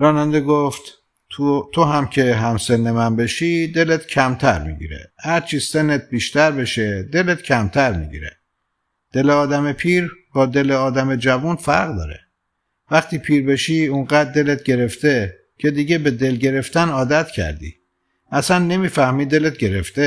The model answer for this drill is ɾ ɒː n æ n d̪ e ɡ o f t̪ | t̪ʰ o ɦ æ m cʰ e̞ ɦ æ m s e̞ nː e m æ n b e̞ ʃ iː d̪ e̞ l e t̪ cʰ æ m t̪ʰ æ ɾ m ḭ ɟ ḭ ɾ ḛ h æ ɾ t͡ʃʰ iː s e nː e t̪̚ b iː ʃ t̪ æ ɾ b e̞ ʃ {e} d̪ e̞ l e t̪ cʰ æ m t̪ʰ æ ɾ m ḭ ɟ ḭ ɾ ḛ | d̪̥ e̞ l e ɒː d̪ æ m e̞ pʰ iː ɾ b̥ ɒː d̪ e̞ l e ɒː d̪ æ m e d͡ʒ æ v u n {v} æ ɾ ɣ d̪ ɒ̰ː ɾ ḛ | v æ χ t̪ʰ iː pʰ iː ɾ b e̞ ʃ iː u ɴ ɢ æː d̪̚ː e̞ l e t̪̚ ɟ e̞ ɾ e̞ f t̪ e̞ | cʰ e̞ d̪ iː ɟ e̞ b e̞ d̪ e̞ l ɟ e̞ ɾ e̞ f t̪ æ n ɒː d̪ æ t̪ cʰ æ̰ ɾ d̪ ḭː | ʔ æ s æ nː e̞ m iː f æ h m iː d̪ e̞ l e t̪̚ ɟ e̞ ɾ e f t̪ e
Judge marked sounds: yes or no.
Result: yes, no

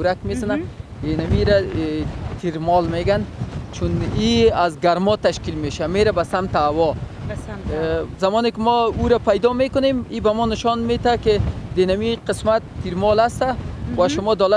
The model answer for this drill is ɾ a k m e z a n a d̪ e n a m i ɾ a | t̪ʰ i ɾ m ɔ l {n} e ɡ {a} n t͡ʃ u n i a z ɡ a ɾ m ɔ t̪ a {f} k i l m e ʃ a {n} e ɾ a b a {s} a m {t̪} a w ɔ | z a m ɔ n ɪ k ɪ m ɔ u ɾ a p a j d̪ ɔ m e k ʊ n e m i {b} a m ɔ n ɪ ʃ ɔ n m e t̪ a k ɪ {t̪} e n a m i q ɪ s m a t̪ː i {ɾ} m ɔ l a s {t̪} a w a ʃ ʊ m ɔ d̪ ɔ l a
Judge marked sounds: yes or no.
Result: no, yes, no, no, yes, yes, yes, no, yes, yes

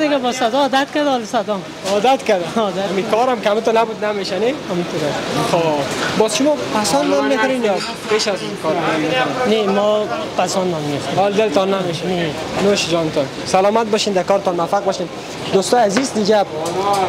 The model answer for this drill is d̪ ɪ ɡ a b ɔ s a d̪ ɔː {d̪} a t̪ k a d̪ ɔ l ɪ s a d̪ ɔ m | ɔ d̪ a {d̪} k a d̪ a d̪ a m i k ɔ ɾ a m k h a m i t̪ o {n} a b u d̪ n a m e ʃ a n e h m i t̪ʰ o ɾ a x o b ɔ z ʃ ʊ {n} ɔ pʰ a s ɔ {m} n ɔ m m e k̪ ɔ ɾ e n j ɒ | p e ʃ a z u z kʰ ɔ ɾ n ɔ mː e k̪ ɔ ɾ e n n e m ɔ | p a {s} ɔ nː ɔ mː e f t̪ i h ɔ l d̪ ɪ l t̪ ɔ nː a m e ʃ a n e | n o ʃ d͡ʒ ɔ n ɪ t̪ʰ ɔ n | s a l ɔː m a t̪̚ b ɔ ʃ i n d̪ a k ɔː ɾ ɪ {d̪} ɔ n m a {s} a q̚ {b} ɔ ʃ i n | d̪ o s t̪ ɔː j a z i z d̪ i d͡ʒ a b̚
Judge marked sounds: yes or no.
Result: yes, no, yes, no, no, yes, no, no, yes

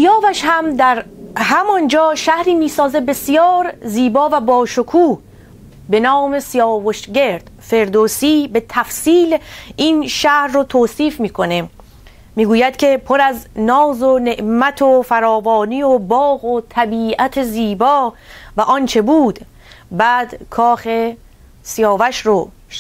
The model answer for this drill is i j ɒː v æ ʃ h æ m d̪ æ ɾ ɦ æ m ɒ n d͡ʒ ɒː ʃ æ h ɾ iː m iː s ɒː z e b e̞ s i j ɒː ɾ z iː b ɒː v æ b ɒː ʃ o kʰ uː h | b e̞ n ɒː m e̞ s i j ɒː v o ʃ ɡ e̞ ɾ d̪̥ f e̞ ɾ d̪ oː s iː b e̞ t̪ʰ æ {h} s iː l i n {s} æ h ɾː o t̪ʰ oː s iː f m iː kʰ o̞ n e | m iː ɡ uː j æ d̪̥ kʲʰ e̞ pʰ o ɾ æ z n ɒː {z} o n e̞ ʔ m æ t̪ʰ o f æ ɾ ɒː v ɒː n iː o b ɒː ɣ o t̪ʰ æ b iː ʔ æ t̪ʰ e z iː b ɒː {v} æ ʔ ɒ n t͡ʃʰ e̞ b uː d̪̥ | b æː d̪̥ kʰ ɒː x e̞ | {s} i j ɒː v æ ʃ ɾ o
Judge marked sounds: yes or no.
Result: no, no, yes, yes, yes

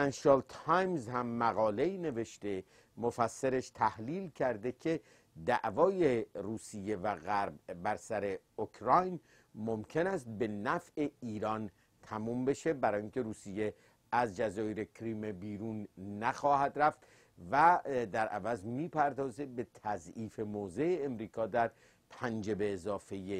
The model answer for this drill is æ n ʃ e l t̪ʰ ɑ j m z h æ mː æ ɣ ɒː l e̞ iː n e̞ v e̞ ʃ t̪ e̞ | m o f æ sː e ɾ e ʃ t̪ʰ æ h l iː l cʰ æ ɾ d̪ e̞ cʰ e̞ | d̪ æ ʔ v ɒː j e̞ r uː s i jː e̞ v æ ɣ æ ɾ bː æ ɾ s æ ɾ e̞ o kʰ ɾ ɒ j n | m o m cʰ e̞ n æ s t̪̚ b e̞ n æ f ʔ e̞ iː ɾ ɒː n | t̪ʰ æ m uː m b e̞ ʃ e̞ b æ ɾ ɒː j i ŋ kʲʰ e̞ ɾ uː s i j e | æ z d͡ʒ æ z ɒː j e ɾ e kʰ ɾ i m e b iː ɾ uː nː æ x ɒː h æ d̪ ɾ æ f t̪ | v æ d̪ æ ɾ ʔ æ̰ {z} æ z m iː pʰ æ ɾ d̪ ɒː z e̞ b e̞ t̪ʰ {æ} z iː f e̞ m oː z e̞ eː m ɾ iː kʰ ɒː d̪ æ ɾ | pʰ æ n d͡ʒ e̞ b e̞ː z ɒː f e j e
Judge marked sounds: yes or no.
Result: no, yes

